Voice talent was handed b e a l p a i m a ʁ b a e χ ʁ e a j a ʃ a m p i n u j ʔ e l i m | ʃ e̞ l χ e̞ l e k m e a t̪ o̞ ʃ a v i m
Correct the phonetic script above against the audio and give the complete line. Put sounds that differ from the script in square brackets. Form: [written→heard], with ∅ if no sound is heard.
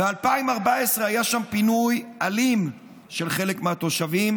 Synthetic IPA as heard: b e a l p a i m a ʁ b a e [χ→s] ʁ e a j a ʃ a m p i n u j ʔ [e→a] l i m | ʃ e̞ l χ e̞ l e k m e a t̪ o̞ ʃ a v i m